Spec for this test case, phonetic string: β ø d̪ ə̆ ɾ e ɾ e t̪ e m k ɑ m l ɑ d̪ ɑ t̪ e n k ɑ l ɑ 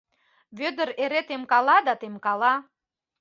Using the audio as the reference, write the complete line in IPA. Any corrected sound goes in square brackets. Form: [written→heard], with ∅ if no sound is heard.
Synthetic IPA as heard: β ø d̪ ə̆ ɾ e ɾ e t̪ e m k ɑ [m→∅] l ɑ d̪ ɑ t̪ e [n→m] k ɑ l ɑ